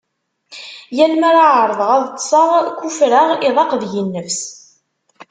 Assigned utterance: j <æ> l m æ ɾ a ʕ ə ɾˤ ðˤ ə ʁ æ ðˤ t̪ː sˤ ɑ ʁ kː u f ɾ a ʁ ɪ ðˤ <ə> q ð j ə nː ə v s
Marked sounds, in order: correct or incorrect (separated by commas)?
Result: correct, incorrect